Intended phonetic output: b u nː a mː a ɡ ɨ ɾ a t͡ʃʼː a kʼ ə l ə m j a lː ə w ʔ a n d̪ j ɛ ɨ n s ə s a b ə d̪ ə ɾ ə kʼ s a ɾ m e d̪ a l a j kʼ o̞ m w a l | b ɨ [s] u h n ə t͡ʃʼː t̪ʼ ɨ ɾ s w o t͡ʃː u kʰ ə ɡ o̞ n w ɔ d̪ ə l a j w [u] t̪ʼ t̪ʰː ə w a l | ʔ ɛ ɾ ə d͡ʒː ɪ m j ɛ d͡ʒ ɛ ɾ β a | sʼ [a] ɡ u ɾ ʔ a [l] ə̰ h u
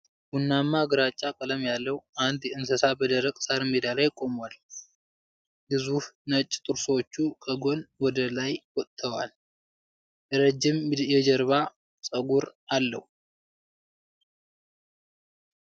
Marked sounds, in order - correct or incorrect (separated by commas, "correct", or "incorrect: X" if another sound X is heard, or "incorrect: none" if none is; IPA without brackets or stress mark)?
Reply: incorrect: z, incorrect: ɔ, incorrect: ə, incorrect: lː